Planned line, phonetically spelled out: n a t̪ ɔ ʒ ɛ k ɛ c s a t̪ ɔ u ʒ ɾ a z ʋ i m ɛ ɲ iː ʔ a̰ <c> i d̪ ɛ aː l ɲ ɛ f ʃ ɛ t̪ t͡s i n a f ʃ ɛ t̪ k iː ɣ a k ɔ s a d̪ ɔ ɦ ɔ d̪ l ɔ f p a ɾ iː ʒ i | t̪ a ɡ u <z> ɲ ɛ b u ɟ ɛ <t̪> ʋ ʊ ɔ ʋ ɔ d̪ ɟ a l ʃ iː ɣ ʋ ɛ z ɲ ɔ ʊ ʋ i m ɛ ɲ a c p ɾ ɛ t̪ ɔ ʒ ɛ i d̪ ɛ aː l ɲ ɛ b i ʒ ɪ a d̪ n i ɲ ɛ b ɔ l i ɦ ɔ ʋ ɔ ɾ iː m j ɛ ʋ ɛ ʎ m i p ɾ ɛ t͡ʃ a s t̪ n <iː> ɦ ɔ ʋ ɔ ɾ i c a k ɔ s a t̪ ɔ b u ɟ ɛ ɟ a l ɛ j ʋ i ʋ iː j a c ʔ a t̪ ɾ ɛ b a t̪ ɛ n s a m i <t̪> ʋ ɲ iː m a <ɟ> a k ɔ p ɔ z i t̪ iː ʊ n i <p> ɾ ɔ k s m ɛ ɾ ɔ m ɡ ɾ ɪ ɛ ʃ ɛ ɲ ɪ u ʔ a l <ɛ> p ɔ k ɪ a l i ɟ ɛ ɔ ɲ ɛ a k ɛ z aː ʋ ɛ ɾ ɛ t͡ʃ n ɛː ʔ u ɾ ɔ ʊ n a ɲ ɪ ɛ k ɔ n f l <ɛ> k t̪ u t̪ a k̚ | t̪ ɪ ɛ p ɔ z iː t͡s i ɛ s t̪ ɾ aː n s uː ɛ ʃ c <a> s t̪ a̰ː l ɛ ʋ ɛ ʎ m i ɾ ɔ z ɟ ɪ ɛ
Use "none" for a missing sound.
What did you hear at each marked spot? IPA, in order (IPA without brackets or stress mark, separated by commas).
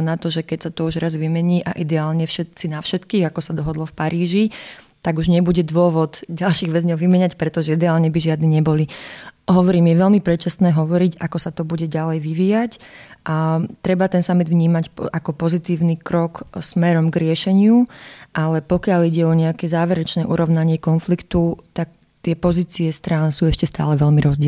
ʔ, ʒ, d̪, ɛː, d̪, c, k, ɛ, i, ɛ